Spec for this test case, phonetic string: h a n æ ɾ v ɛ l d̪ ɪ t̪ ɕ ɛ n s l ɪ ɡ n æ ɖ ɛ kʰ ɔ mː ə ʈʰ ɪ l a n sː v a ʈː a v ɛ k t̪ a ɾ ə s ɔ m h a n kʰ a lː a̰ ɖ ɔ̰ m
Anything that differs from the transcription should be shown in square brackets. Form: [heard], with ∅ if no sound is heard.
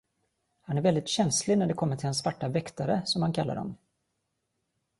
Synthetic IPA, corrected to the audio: h a n æ ɾ v ɛ l d̪ ɪ t̪ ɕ ɛ n s l ɪ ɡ n æ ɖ ɛ kʰ ɔ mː ə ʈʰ ɪ l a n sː v a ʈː a v ɛ k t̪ a ɾ ə s ɔ m h a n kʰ a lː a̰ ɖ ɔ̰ m